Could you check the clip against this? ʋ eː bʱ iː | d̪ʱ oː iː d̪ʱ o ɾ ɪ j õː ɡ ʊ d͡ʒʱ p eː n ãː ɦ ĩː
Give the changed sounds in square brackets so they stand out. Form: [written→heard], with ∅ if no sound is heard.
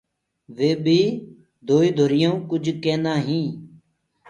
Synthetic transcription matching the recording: ʋ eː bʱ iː | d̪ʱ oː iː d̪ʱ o ɾ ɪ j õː [ɡ→k] ʊ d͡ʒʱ [p→k] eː n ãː ɦ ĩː